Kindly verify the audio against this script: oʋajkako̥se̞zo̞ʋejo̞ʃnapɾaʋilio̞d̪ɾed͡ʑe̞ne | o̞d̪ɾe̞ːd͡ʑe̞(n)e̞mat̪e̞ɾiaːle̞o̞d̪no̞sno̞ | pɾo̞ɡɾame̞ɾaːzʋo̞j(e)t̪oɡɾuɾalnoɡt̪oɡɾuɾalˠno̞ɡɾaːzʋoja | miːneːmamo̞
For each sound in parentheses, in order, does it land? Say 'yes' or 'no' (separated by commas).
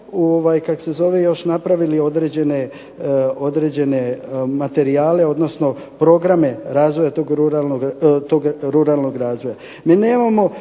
yes, no